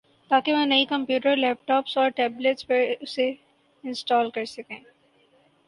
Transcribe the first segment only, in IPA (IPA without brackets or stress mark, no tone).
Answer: t̪